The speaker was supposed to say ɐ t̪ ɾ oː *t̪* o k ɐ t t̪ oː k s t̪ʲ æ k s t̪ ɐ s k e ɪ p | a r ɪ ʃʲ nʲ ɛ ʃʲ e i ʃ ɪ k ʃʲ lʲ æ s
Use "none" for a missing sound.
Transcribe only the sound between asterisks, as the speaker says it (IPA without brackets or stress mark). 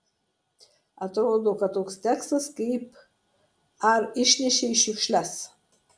d̪